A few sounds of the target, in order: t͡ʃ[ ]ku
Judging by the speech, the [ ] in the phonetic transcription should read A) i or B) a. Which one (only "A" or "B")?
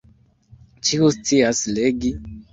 A